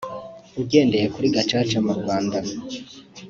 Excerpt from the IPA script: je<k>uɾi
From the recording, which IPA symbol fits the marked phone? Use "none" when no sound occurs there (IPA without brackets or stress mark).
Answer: k